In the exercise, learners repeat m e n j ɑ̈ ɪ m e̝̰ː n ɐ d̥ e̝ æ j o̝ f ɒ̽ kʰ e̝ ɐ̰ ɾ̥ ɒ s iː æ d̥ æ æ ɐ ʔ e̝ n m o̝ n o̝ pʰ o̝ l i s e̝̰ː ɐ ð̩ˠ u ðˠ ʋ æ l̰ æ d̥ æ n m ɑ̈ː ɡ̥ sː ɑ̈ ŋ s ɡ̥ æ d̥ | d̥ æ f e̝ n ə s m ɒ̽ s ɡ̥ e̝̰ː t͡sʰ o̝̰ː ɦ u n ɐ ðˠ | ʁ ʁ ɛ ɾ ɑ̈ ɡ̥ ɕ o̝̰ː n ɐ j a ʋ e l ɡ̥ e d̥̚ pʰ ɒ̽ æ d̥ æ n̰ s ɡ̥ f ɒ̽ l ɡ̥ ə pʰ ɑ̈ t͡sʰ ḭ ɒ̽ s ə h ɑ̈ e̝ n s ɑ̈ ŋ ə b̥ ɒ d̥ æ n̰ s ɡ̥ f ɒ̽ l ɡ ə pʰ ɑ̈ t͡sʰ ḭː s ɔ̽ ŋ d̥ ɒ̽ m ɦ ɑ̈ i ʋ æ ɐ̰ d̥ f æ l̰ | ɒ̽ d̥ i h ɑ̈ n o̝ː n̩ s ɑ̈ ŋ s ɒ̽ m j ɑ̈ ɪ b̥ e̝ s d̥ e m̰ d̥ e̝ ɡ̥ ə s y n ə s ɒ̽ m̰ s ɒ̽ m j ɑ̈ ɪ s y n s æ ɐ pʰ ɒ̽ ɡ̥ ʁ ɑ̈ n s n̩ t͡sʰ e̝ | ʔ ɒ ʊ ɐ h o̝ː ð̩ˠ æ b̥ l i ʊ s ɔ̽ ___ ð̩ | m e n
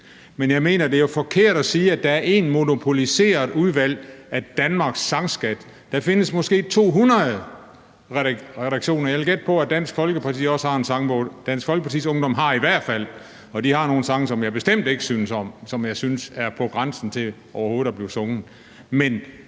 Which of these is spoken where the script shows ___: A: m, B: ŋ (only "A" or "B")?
B